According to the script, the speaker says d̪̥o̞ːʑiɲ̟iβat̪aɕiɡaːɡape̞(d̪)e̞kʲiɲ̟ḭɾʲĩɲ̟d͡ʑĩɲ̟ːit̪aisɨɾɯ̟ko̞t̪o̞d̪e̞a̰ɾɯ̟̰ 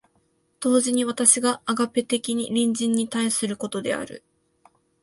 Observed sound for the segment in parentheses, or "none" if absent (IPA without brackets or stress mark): t̪